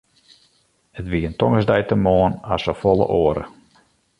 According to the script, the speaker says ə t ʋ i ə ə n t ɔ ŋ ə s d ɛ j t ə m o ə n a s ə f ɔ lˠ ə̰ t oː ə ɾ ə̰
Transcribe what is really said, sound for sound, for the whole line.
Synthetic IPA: ə t ʋ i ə ə n t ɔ ŋ ə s d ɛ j t ə m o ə n a s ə f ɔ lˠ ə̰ ʔ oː ə ɾ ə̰